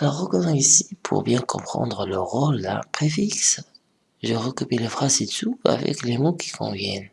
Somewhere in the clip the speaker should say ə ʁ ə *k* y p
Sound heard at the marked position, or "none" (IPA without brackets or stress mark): k